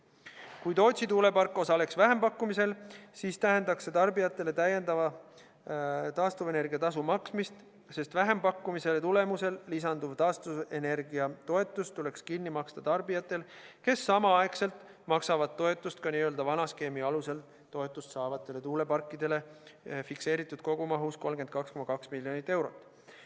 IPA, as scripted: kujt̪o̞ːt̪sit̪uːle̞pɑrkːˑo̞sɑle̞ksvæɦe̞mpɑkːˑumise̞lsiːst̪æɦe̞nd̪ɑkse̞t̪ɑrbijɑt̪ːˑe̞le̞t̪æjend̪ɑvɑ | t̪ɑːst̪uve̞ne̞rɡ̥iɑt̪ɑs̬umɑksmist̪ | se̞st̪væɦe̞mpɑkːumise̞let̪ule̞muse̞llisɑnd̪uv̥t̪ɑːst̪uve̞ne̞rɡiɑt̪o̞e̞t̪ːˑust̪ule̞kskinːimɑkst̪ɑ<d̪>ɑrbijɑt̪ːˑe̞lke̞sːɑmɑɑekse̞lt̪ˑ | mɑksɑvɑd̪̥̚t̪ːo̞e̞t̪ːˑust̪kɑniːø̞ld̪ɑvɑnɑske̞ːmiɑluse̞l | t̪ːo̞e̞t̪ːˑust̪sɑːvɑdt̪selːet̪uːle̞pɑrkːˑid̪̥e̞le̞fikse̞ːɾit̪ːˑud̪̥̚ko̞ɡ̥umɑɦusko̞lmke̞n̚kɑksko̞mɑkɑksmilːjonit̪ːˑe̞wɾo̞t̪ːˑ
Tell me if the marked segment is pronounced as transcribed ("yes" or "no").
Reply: no